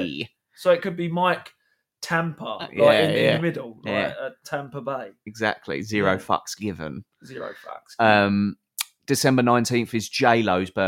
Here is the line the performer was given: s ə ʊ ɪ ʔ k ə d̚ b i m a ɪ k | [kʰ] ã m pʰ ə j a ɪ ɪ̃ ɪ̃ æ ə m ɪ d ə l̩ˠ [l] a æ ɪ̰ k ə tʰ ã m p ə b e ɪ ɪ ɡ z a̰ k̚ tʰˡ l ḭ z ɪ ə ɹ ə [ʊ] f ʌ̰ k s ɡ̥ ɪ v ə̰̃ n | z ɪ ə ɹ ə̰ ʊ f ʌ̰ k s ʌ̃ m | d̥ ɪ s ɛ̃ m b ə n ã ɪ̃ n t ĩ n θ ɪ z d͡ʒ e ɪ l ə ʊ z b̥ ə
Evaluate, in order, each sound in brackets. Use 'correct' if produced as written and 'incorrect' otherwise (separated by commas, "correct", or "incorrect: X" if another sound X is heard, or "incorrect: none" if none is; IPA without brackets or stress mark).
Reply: incorrect: tʰ, correct, correct